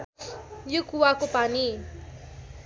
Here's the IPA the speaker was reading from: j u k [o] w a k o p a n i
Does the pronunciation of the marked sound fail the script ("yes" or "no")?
yes